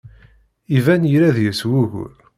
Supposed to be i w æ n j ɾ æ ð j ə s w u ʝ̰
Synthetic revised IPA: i v æ n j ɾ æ ð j ə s w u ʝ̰